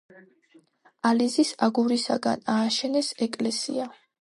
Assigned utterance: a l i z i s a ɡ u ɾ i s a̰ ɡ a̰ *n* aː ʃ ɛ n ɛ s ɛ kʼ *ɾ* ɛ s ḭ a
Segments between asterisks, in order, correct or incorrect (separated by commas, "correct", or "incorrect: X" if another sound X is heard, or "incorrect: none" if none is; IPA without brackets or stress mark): correct, incorrect: l